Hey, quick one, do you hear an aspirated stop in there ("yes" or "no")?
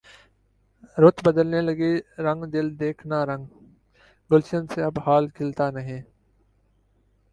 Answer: yes